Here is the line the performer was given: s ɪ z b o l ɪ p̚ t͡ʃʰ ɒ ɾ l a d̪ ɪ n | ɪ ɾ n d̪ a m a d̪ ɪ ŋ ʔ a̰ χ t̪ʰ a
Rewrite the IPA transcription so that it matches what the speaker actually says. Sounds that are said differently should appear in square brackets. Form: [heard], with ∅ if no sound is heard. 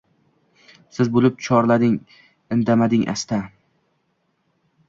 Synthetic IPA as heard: s ɪ z b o l ɪ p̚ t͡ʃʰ ɒ ɾ l a d̪ ɪ [ŋ] | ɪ [∅] n d̪ a m a d̪ ɪ ŋ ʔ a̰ [s] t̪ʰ a